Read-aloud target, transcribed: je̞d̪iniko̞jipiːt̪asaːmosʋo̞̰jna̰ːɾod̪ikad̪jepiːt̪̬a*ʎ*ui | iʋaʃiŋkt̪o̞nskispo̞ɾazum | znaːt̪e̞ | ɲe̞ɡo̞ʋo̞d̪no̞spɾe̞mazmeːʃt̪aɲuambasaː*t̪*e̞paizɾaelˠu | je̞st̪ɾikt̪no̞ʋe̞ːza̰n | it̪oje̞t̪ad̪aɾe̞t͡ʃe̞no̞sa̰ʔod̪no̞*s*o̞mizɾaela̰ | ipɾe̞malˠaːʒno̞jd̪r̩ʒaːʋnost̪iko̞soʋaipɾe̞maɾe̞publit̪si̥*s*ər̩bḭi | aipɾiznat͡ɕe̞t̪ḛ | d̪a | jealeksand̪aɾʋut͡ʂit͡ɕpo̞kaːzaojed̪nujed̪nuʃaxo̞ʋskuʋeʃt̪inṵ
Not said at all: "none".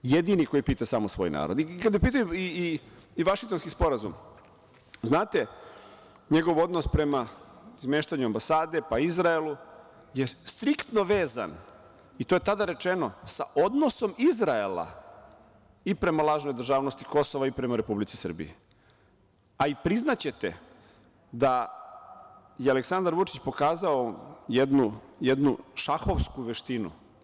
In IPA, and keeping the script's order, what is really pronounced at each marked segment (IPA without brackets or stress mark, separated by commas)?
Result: j, d̪, s, s